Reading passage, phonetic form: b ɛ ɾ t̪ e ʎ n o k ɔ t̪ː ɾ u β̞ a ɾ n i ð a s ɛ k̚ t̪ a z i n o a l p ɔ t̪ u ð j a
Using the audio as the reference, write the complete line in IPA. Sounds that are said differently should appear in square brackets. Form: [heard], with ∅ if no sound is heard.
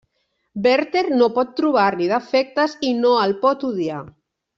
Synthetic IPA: b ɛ ɾ t̪ e [ɾ] n o [p] ɔ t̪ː ɾ u β̞ a ɾ n i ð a [f] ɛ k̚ t̪ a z i n o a l p ɔ t̪ u ð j a

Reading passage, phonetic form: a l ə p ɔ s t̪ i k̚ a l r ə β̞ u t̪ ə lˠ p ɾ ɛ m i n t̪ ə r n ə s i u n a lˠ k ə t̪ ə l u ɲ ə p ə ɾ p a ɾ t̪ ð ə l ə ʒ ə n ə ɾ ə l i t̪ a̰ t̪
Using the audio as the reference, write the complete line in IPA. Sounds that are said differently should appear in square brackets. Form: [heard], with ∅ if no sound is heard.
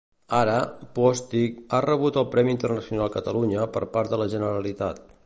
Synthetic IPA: a [ɾ] ə p ɔ s t̪ i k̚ a [∅] r ə β̞ u t̪ ə lˠ p ɾ ɛ m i n t̪ ə r n ə s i u n a lˠ k ə t̪ ə l u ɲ ə p ə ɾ p a ɾ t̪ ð ə l ə ʒ ə n ə ɾ ə l i t̪ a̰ t̪

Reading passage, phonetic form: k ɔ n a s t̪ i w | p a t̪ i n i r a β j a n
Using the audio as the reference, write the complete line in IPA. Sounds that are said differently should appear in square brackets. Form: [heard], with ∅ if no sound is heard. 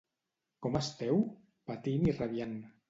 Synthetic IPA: k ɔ [m] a s t̪ [ɛ] w | p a t̪ i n i r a β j a n

